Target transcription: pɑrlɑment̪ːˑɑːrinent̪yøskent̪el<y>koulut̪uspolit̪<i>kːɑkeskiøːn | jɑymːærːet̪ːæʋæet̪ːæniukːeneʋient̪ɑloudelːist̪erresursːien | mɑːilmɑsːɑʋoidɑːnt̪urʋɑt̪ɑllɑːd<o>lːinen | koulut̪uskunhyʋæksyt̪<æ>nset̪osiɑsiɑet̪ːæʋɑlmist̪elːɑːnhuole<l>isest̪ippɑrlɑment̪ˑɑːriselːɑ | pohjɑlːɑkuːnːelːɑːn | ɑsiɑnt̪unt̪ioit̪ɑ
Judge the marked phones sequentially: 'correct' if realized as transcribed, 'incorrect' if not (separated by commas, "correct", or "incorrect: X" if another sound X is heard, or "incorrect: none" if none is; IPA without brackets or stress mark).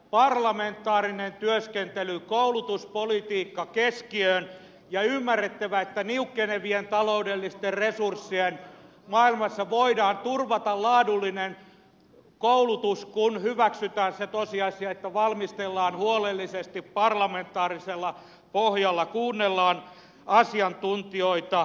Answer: correct, incorrect: iː, incorrect: u, incorrect: æː, incorrect: lː